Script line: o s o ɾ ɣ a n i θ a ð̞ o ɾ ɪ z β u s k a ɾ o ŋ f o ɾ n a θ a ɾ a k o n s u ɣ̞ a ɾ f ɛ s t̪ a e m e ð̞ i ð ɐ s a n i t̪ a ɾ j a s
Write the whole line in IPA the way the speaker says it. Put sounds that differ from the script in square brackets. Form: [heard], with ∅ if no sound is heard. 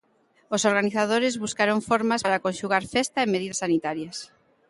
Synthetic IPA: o s o ɾ ɣ a n i θ a ð̞ o ɾ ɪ z β u s k a ɾ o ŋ f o ɾ [m] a [s] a ɾ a k o n [ʃ] u ɣ̞ a ɾ f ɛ s t̪ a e m e ð̞ i ð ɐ s a n i t̪ a ɾ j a s